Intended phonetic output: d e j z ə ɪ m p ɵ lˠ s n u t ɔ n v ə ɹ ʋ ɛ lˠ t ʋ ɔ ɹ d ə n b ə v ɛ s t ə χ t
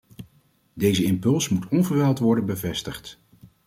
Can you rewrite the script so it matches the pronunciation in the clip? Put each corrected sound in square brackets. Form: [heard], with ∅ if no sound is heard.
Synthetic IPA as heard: d e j z ə ɪ m p ɵ lˠ s [m] u t ɔ n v ə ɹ ʋ ɛ lˠ t ʋ ɔ ɹ d ə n b ə v ɛ s t ə χ t